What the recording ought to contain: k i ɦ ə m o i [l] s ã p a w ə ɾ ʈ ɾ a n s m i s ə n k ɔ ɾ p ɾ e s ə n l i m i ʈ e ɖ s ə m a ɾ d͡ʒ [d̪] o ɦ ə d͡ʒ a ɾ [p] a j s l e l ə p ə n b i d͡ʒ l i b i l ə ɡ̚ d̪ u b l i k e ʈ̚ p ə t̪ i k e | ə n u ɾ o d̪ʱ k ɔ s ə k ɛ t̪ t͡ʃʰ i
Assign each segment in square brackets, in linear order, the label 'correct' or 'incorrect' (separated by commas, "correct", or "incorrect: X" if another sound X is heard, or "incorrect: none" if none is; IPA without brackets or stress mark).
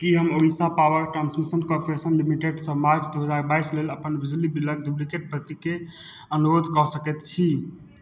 incorrect: none, correct, incorrect: b